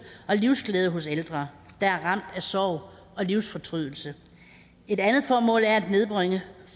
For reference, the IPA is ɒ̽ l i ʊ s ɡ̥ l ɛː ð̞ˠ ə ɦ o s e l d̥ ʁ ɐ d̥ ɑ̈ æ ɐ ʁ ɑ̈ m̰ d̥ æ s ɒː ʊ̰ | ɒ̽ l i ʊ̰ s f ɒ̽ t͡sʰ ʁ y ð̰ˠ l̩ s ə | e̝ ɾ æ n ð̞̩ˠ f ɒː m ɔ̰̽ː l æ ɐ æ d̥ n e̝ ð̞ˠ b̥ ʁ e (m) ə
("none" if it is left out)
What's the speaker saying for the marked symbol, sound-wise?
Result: ŋ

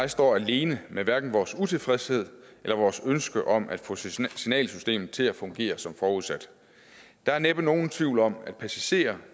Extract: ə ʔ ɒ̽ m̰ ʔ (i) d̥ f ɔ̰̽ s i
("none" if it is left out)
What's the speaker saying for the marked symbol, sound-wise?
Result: æ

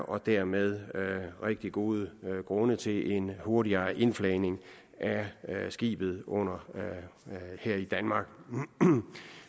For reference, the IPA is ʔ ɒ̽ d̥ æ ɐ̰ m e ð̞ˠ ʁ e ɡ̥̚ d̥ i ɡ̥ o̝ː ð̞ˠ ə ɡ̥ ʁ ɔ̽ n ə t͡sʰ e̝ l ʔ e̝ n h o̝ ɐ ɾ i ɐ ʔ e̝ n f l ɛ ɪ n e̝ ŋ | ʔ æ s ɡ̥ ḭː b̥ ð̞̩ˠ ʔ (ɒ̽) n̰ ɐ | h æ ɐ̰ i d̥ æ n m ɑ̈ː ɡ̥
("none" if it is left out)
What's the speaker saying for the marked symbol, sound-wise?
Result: ɔ̽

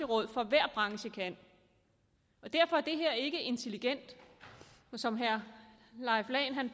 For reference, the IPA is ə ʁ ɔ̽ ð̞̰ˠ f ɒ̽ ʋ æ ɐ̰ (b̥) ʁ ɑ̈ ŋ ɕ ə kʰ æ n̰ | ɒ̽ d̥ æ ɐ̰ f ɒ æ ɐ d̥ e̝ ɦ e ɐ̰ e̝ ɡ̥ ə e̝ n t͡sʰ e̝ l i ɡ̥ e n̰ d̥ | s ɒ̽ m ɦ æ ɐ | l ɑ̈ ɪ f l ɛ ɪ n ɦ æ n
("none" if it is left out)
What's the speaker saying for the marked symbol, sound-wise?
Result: b̥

